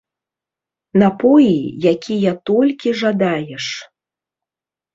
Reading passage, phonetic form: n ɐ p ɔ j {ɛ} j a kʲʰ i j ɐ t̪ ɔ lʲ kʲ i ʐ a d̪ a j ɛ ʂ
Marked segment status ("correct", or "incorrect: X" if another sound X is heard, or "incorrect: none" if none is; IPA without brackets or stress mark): incorrect: i